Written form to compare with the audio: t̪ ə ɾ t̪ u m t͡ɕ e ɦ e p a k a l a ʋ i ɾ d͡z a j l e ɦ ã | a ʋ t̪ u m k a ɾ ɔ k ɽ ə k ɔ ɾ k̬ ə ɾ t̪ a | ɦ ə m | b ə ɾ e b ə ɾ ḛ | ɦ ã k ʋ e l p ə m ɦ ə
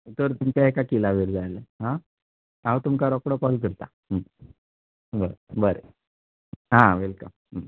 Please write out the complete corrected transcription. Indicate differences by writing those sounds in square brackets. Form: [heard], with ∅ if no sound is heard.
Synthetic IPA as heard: t̪ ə ɾ t̪ u m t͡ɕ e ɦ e [k] a k [i] l a ʋ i ɾ d͡z a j l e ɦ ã | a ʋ t̪ u m k a ɾ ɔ k ɽ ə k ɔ [l] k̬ ə ɾ t̪ a | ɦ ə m | b ə ɾ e b ə ɾ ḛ | ɦ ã [∅] ʋ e l [k] ə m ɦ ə